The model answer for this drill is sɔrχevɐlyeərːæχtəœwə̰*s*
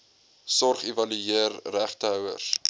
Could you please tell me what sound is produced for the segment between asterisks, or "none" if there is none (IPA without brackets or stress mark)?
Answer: s